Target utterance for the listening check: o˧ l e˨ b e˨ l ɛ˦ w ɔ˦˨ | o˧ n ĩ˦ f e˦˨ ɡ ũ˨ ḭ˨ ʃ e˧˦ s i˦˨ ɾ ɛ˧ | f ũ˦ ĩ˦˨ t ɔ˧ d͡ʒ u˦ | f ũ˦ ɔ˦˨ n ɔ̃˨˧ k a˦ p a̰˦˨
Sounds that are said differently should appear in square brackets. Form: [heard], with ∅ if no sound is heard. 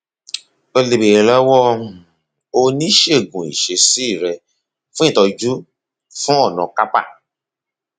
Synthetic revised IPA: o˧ l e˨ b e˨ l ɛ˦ w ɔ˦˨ | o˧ n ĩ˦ [ʃ] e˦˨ ɡ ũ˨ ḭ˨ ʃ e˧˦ s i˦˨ ɾ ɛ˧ | f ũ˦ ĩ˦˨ t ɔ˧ d͡ʒ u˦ | f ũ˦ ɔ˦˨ n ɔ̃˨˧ k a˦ p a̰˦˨

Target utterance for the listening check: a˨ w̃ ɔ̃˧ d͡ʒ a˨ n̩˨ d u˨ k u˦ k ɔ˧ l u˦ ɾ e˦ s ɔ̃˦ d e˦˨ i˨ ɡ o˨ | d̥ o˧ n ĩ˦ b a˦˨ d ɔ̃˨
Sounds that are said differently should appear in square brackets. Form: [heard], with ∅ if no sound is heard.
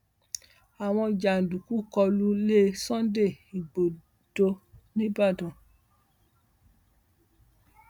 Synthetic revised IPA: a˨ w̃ ɔ̃˧ d͡ʒ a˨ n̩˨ d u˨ k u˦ k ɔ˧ l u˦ [l] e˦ s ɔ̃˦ d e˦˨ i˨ [ɡ͡b] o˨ | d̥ o˧ n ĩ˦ b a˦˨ d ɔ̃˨

